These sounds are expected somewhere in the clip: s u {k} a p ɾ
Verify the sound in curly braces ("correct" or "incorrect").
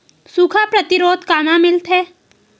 incorrect